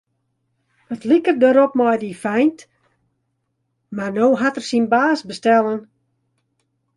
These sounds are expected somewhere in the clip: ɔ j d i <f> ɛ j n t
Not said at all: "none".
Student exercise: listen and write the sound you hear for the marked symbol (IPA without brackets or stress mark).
f